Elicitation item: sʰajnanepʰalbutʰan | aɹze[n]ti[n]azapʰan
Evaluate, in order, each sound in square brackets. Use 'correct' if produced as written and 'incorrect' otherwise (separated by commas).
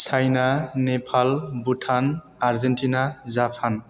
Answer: correct, correct